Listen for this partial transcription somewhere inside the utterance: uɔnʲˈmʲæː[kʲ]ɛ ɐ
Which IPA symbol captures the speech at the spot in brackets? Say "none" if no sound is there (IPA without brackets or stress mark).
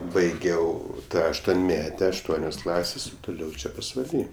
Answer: tʲ